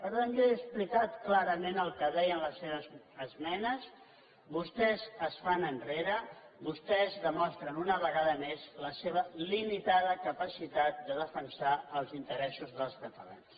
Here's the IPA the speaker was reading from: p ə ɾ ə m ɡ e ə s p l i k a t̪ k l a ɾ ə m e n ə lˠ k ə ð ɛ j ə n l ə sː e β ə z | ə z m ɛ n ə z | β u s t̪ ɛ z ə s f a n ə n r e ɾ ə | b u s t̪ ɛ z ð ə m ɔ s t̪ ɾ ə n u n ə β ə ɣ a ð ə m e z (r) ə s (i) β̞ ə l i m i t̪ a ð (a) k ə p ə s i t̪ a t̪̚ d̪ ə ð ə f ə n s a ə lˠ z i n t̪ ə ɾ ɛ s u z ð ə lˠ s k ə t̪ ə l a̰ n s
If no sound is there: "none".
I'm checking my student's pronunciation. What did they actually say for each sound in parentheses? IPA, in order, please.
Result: l, e, ə

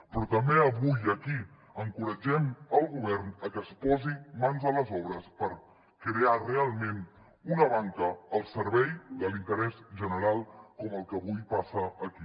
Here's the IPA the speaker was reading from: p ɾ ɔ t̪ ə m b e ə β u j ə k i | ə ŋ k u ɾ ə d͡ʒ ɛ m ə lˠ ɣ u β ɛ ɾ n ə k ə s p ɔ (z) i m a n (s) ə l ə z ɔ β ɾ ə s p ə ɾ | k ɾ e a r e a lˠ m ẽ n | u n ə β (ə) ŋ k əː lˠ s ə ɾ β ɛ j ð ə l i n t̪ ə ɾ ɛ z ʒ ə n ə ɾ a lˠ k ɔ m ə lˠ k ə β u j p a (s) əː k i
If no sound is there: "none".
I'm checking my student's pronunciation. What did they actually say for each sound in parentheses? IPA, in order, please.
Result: z, z, a, s

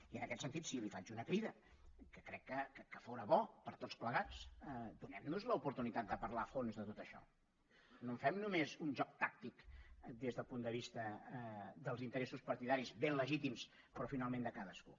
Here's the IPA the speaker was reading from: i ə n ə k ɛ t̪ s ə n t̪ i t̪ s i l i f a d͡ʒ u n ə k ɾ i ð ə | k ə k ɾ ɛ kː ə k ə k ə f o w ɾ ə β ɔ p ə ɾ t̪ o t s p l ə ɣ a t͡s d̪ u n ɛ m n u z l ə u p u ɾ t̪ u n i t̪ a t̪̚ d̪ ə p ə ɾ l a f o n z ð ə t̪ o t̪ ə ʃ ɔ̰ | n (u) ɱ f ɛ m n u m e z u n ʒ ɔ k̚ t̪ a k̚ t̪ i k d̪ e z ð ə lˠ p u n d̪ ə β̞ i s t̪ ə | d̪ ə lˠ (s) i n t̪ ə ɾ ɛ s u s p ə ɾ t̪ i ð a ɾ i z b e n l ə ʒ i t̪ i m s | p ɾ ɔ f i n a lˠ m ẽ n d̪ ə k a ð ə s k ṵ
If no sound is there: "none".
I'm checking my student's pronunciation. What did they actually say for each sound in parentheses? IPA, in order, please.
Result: o, z

